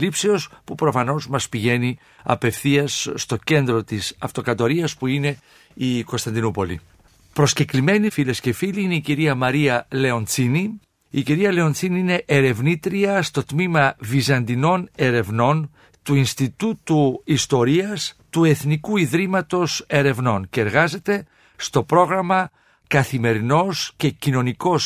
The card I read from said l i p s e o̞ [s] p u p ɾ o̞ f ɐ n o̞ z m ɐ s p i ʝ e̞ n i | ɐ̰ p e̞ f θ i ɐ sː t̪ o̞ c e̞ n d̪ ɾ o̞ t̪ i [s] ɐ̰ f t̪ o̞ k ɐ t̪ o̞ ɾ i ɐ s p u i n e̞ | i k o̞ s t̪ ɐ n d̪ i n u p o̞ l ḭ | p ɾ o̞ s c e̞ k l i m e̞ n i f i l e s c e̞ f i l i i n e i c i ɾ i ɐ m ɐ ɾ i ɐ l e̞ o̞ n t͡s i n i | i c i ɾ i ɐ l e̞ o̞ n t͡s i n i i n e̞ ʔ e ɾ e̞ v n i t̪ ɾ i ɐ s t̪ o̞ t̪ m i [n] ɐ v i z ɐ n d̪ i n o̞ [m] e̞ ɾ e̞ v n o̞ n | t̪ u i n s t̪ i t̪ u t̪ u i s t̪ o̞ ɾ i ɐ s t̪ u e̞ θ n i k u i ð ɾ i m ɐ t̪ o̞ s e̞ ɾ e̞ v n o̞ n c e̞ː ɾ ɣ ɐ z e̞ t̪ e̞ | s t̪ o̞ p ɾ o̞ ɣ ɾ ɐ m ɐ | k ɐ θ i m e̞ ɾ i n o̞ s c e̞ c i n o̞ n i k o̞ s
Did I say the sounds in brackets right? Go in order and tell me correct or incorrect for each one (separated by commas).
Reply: correct, correct, incorrect, incorrect